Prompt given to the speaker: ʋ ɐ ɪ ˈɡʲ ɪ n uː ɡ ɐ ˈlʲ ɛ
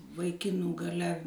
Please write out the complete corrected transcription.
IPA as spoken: ʋ ɐ ɪ ˈkʲ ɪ n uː ɡ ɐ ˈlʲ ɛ